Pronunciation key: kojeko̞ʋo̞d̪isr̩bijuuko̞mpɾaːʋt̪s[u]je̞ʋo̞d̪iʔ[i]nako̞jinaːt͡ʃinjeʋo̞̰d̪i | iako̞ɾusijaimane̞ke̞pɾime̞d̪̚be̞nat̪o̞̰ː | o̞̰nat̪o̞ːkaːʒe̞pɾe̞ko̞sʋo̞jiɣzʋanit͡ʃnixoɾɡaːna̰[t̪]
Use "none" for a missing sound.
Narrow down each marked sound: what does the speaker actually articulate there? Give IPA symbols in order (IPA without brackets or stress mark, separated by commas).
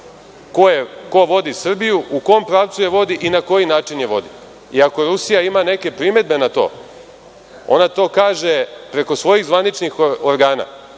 u, i, none